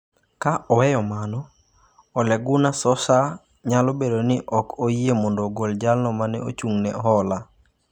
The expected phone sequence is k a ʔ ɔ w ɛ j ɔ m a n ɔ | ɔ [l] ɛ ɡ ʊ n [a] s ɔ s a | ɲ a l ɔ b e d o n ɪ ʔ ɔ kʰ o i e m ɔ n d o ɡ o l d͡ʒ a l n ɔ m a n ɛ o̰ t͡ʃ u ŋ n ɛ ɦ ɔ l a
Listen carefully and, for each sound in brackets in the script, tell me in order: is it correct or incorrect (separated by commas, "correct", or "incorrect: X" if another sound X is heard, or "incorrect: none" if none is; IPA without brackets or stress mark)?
correct, correct